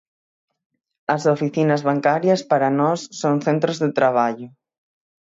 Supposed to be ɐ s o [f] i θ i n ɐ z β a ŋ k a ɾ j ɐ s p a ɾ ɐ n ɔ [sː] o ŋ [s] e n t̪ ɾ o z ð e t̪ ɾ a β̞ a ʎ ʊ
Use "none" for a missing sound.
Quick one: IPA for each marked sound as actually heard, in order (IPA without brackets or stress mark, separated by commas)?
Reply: f, sː, θ